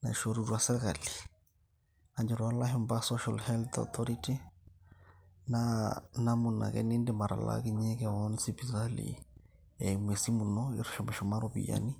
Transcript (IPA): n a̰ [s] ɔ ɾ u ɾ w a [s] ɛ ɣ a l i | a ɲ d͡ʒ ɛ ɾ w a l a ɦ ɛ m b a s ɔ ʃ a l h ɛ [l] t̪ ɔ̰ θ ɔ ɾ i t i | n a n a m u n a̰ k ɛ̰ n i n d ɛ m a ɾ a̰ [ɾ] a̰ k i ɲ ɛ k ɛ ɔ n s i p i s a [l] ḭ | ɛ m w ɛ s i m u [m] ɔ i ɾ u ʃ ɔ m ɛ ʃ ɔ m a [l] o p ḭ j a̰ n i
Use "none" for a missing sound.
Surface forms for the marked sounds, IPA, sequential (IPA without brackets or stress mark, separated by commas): ʃ, s, l, l, l, n, ɾ